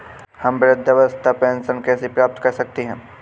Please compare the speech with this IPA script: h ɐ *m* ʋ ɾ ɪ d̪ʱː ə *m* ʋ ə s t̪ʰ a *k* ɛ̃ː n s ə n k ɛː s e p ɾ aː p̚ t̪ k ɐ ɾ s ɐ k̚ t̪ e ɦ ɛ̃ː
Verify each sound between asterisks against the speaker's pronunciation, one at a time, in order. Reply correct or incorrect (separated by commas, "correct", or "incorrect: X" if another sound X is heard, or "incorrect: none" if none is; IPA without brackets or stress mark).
correct, incorrect: none, incorrect: p